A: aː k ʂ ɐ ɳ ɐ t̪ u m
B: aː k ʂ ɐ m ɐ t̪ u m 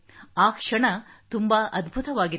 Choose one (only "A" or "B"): A